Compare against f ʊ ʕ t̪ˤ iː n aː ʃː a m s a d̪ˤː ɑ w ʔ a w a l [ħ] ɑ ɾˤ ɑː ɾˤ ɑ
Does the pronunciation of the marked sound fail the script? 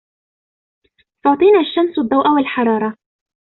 no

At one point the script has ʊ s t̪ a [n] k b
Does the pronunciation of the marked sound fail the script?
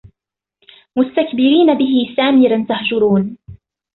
yes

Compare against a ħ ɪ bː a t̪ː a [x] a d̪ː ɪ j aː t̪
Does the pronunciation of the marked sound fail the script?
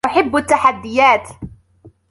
yes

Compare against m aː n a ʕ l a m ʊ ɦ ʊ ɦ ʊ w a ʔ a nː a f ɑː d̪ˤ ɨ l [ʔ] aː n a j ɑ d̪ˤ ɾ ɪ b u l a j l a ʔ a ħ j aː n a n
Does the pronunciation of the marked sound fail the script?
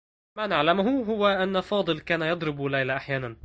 yes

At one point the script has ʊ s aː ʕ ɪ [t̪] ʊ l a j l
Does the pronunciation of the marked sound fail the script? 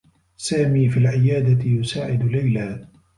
yes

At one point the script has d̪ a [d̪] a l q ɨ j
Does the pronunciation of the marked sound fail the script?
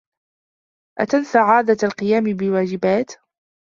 yes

